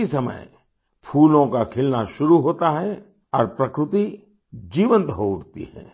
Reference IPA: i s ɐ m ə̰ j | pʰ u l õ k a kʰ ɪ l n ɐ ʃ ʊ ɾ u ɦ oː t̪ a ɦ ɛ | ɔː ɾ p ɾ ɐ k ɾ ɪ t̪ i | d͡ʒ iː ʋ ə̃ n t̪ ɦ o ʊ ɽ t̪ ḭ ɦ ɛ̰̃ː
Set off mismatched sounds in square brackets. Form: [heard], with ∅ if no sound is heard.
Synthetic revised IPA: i s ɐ m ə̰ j | pʰ [uː] l õ k a kʰ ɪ l n [a] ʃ ʊ ɾ u ɦ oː t̪ a ɦ ɛ | ɔː ɾ p ɾ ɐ k ɾ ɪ t̪ i | d͡ʒ iː ʋ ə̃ n t̪ ɦ o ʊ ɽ t̪ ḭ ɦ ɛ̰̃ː